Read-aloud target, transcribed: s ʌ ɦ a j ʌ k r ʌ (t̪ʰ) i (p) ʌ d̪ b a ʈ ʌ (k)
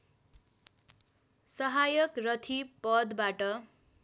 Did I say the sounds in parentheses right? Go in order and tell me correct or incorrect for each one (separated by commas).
correct, correct, incorrect